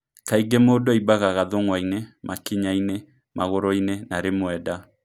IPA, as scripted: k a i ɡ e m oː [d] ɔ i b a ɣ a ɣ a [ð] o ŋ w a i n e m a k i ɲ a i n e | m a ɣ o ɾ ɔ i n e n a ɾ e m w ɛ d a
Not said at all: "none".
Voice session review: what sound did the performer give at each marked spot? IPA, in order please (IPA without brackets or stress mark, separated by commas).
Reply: d, ð